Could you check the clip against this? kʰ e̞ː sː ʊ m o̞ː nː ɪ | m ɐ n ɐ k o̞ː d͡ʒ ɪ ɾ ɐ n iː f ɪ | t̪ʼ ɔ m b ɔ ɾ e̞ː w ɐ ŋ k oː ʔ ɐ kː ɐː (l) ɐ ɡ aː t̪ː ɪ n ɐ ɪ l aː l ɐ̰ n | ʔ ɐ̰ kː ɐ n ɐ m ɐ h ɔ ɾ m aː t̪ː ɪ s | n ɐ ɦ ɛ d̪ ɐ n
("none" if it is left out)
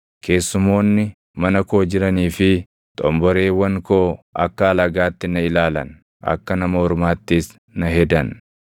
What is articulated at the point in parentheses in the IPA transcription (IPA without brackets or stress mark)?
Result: l